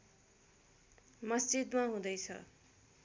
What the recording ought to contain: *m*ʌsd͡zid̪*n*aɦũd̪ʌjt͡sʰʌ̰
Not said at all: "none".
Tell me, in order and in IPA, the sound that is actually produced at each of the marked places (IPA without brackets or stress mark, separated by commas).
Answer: m, m